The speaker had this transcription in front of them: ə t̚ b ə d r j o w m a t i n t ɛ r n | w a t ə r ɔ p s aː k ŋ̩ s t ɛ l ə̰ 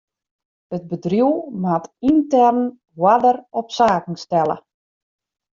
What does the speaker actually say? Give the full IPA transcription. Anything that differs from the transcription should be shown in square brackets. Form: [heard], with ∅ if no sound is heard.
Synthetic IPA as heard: ə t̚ b ə d r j [u] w m a t i n t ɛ r n | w a [d] ə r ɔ p s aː k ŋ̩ s t ɛ l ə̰